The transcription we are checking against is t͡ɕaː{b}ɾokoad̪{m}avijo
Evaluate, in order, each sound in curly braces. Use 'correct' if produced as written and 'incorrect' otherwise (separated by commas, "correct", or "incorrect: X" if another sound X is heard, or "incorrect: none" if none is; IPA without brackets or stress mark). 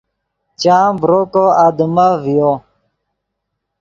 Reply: correct, correct